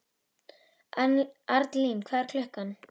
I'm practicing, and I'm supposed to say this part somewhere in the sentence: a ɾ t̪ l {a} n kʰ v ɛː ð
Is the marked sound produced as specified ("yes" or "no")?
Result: no